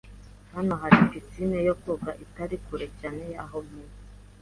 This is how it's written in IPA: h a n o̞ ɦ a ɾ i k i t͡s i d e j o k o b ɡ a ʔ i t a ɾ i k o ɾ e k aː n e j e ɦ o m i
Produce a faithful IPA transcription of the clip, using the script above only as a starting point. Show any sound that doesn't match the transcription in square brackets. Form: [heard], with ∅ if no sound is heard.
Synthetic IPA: h a n o̞ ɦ a ɾ i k i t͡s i [n] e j o k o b ɡ a ʔ i t a ɾ i k [u] ɾ e [c] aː n e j [a] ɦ o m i